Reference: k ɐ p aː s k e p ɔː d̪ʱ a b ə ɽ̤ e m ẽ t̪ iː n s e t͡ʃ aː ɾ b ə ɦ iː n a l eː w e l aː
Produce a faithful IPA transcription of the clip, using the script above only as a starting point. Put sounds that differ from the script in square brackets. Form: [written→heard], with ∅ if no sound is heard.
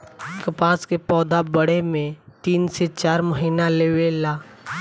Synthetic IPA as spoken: k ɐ p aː s k e p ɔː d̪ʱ a b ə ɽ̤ e m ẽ t̪ iː n s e t͡ʃ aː ɾ [b→m] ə ɦ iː n a l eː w e l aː